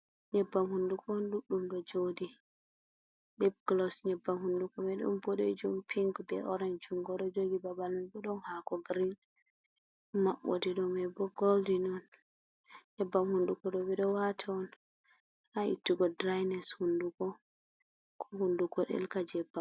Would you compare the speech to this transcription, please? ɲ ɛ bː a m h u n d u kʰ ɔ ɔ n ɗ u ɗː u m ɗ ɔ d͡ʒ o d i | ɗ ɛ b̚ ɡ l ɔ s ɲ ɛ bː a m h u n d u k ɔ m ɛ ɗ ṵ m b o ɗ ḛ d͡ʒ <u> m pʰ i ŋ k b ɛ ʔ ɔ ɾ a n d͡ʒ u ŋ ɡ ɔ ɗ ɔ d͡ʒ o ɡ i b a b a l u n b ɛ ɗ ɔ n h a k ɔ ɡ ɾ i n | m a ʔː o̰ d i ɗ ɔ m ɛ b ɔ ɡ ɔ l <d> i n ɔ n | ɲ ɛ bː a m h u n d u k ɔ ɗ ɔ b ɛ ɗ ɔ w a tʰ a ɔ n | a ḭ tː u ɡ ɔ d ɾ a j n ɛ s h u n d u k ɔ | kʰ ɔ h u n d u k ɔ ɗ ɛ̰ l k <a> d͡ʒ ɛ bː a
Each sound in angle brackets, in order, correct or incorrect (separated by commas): correct, correct, correct